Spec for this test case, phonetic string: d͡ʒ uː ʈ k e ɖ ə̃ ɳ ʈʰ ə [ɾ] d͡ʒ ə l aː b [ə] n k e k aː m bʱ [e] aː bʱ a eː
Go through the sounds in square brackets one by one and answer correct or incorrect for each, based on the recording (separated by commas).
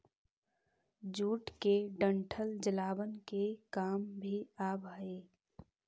incorrect, correct, incorrect